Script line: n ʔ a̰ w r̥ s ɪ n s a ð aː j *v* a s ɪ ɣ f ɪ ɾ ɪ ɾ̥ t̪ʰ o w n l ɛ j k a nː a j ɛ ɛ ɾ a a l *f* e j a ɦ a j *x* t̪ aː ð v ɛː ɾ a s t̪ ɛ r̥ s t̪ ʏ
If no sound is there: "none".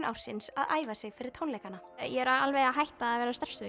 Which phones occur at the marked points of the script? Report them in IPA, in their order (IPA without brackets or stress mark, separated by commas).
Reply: v, v, h